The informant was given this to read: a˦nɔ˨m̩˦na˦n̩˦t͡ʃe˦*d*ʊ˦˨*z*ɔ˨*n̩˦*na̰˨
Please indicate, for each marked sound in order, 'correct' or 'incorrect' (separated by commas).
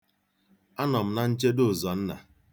correct, correct, correct